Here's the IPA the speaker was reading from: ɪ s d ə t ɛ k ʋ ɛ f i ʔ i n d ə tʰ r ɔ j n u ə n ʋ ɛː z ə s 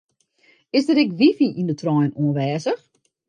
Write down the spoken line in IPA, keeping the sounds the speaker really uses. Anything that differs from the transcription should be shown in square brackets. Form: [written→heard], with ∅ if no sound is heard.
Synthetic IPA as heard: ɪ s d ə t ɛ k ʋ [ɛ→i] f i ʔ i n d ə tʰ r ɔ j n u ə n ʋ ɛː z ə [s→x]